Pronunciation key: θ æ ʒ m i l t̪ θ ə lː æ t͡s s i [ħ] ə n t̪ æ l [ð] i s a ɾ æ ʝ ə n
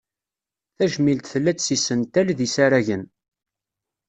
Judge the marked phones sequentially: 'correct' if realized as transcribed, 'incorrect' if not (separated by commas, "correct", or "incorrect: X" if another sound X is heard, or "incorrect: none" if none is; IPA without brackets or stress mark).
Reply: incorrect: s, correct